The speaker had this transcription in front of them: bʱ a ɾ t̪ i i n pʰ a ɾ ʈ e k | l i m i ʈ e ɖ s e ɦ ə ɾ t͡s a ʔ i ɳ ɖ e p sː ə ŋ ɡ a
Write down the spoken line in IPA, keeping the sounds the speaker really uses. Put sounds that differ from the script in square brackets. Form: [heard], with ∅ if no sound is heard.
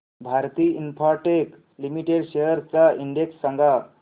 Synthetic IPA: bʱ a ɾ t̪ i i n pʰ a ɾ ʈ e k | l i m i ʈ e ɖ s e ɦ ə ɾ t͡s a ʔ i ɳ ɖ e [k] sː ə ŋ ɡ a